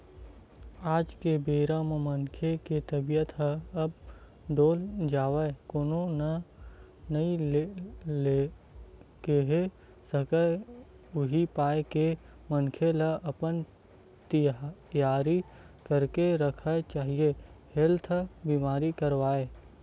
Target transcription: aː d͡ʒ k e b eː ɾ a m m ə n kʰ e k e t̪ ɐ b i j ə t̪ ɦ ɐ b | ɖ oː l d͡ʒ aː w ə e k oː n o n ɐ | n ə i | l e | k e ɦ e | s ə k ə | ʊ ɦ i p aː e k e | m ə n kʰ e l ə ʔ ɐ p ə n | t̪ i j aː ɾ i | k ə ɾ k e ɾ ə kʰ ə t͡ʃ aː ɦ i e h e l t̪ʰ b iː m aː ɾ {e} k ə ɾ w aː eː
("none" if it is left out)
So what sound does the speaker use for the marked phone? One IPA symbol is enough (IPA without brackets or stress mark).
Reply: i